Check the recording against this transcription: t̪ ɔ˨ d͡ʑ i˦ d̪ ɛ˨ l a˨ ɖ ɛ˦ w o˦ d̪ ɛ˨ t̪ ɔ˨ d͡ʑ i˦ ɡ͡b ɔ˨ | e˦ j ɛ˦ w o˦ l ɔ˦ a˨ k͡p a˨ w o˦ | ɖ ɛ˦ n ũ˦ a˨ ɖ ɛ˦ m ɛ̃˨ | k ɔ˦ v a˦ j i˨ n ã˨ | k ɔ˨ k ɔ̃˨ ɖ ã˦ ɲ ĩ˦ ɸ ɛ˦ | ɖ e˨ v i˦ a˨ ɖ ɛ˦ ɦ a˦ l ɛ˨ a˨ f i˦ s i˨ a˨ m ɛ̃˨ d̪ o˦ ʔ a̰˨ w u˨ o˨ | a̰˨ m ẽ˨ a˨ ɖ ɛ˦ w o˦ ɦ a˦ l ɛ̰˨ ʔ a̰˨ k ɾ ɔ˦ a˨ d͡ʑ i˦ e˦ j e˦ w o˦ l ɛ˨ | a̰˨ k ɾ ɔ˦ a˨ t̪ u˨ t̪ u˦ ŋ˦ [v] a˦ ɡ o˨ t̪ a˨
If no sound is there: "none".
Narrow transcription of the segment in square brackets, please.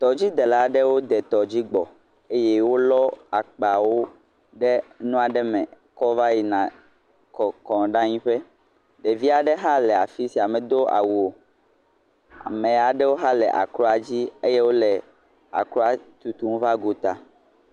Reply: v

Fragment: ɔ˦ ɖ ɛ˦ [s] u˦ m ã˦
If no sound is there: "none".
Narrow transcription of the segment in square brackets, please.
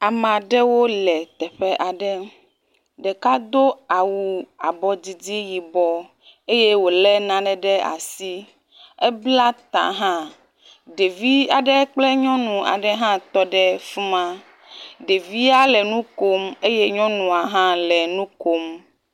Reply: f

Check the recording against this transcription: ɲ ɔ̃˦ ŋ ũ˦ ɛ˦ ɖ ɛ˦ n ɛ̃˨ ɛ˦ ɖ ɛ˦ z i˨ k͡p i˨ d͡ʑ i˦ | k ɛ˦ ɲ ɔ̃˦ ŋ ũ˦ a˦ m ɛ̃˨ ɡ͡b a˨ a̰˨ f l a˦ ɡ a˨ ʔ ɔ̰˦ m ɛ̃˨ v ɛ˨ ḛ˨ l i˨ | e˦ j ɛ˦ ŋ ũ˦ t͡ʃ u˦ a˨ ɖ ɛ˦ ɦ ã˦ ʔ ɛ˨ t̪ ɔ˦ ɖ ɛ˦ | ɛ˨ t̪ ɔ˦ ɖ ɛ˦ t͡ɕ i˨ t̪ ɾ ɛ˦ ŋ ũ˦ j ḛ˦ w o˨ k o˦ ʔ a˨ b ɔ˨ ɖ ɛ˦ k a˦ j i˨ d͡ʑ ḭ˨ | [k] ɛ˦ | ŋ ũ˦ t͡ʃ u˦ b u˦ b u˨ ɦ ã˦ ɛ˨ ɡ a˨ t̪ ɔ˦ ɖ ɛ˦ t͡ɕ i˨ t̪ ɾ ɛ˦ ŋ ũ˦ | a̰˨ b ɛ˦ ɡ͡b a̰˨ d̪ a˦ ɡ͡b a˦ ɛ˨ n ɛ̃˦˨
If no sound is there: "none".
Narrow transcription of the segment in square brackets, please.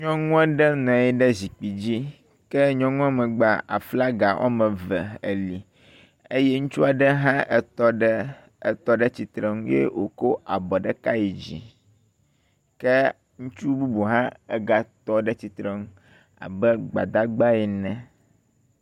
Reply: k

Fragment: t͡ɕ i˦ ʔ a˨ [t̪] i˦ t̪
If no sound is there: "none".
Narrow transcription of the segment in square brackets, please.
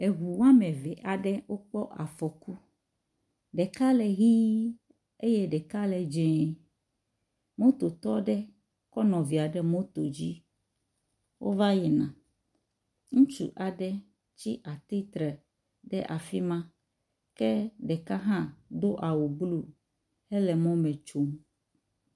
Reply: t̪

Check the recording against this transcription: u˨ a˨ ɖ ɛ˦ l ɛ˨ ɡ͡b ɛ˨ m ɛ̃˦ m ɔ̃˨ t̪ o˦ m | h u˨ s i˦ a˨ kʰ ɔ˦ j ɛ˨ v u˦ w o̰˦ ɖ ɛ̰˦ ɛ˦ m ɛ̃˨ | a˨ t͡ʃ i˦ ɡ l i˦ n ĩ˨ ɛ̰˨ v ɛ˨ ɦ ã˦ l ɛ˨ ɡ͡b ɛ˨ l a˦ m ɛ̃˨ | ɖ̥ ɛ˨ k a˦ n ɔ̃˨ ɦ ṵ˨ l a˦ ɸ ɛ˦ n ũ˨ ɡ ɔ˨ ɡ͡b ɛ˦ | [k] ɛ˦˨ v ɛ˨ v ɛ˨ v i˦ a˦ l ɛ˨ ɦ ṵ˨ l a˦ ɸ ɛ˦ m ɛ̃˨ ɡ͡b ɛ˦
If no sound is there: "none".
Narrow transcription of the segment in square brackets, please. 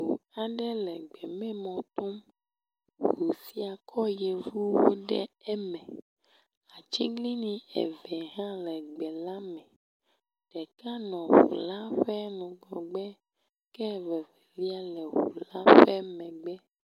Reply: k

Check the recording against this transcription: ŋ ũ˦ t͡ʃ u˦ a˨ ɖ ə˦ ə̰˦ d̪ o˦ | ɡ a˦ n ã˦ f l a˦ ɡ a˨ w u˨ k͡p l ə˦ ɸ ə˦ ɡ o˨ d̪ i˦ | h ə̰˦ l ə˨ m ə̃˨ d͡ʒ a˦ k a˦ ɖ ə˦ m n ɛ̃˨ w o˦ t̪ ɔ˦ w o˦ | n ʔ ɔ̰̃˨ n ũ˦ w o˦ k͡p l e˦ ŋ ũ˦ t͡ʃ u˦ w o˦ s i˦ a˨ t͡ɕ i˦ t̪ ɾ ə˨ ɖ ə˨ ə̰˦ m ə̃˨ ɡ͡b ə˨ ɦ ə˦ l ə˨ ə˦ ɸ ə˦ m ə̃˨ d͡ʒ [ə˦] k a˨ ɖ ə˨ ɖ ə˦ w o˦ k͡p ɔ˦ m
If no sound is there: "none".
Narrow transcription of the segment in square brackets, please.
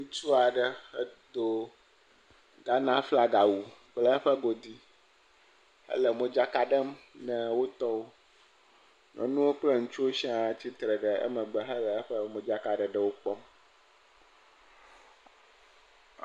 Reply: a˦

